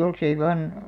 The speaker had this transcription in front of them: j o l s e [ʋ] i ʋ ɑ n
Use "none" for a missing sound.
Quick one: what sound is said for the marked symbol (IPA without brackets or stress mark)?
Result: none